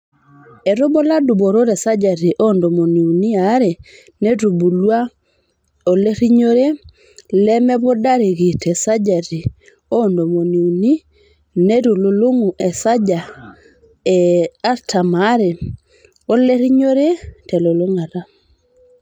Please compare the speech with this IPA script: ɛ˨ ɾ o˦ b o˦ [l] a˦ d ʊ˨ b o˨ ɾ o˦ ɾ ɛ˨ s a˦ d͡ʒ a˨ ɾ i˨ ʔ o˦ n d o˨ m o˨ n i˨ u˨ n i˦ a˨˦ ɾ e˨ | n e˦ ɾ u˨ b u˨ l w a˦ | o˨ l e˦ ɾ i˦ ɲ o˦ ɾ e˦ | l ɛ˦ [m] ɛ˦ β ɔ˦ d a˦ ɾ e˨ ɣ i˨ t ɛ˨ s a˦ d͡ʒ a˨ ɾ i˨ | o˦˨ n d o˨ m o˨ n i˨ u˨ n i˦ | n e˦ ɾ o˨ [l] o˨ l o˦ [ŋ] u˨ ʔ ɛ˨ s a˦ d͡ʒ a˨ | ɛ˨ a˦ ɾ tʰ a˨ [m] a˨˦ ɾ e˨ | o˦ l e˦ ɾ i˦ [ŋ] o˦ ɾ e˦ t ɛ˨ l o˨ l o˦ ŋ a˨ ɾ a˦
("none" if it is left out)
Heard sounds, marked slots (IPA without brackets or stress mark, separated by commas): l, m, l, ŋ, m, ɲ